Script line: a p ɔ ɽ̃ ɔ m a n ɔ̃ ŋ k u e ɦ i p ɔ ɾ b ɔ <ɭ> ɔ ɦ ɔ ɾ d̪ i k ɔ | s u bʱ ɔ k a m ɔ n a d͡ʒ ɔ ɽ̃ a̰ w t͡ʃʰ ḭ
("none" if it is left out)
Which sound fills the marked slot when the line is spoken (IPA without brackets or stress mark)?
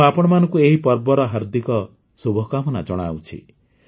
ɾ